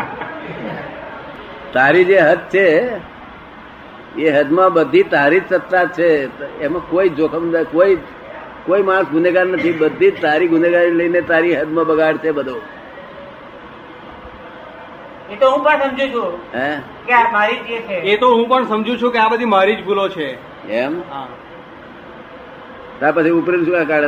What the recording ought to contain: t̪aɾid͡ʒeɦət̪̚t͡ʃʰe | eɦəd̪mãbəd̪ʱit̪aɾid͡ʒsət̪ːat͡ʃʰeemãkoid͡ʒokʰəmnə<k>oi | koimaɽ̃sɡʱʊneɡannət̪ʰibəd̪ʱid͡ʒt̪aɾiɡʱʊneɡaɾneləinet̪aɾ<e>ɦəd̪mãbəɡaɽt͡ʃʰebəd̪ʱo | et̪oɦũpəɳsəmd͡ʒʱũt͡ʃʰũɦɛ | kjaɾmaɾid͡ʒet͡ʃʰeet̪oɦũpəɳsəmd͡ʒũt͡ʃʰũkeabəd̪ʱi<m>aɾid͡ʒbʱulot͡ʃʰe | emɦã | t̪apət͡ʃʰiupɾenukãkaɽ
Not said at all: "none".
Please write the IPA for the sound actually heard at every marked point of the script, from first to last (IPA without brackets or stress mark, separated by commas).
k, i, m